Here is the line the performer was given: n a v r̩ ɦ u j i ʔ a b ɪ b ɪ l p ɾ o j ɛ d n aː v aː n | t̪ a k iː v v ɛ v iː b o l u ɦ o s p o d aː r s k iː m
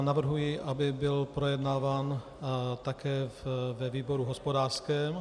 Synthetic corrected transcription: n a v r̩ ɦ u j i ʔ a b ɪ b ɪ l p ɾ o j ɛ d n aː v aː n | t̪ a k ɛː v v ɛ v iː b o ɾ u ɦ o s p o d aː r s k ɛː m

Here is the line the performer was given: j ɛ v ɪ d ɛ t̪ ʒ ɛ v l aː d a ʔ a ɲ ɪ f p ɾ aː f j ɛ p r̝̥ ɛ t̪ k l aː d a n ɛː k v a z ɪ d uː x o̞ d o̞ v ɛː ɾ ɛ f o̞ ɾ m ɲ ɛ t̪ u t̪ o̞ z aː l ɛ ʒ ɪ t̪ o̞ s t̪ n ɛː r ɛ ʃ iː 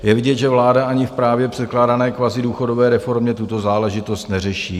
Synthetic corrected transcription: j ɛ v ɪ ɟ ɛ t̪ ʒ ɛ v l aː d a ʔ a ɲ ɪ f p ɾ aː v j ɛ p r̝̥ ɛ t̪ k l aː d a n ɛː k v a z ɪ d uː x o̞ d o̞ v ɛː ɾ ɛ f o̞ ɾ m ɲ ɛ t̪ u t̪ o̞ z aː l ɛ ʒ ɪ t̪ o̞ s t̪ n ɛ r ɛ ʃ iː

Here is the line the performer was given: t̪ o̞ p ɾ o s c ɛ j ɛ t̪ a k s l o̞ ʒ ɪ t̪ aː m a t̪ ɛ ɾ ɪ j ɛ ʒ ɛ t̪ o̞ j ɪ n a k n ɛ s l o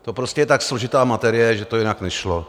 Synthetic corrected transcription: t̪ o̞ p ɾ o s c ɛ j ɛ t̪ a k s l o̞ ʒ ɪ t̪ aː m a t̪ ɛ ɾ ɪ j ɛ ʒ ɛ t̪ o̞ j ɪ n a k n ɛ ʃ l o

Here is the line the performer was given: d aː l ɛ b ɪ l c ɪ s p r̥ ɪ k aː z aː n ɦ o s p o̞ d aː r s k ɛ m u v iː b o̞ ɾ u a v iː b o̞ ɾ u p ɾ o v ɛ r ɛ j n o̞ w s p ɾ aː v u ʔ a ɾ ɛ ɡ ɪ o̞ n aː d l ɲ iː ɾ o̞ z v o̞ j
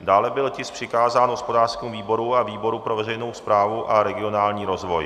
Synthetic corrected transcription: d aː l ɛ b ɪ l c ɪ s p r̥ ɪ k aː z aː n ɦ o s p o̞ d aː r s k ɛ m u v iː b o̞ ɾ u a v iː b o̞ ɾ u p ɾ o v ɛ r ɛ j n o̞ w s p ɾ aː v u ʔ a ɾ ɛ ɡ ɪ o̞ n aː l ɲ iː ɾ o̞ z v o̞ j

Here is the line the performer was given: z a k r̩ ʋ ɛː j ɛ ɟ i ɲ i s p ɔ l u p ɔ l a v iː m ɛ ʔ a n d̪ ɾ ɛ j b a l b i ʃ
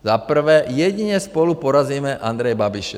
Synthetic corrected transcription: z a p r̩ ʋ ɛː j ɛ ɟ i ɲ ɛ s p ɔ l u p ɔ ɾ a z iː m ɛ ʔ a n d̪ ɾ ɛ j b a b i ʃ

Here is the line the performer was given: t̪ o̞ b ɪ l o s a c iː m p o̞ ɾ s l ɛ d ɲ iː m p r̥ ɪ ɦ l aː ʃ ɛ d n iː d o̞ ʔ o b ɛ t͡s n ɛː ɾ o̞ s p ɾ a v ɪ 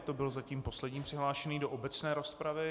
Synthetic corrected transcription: t̪ o̞ b ɪ l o z a c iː m p o̞ s l ɛ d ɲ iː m p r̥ ɪ ɦ l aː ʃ ɛ n iː d o̞ ʔ o b ɛ t͡s n ɛː ɾ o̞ s p ɾ a v ɪ

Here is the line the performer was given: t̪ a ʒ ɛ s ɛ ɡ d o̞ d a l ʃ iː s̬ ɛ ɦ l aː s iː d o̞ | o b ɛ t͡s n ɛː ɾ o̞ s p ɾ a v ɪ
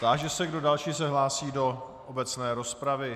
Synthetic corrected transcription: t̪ a ʒ ɛ s ɛ ɡ d o̞ d a l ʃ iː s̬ ɛ ɦ l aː s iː d o̞ | o b ɛ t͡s n ɛː ɾ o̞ s p ɾ a v ɪ

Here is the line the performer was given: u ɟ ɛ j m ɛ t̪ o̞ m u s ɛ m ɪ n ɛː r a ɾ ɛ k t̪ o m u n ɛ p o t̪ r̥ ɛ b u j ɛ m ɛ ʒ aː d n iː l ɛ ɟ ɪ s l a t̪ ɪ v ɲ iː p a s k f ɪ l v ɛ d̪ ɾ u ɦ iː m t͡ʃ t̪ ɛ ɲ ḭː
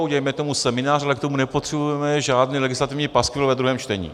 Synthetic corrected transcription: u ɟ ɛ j m ɛ t̪ o̞ m u s ɛ m ɪ n aː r a l ɛ k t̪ o m u n ɛ p o t̪ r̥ ɛ b u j ɛ m ɛ ʒ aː d n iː l ɛ ɡ ɪ s l a t̪ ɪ v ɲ iː p a s k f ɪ l v ɛ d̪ ɾ u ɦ ɛː m t͡ʃ t̪ ɛ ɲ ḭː

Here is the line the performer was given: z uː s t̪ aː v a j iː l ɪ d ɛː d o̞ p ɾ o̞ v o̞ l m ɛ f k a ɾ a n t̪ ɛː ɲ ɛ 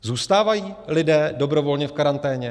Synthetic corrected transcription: z uː s t̪ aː v a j iː l ɪ d ɛː d o̞ b ɾ o̞ v o̞ l ɲ ɛ f k a ɾ a n t̪ ɛː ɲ ɛ

